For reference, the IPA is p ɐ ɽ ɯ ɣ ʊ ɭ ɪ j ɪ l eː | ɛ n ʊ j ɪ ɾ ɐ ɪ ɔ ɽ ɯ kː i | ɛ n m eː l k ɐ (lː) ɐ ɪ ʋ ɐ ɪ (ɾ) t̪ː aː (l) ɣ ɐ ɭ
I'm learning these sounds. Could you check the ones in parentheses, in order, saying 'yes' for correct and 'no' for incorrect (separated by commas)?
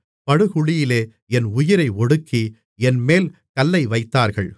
yes, no, no